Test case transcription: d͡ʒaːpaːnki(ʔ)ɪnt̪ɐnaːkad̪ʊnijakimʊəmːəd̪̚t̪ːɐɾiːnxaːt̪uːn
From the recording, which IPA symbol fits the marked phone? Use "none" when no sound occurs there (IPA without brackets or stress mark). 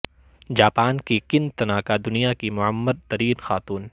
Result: k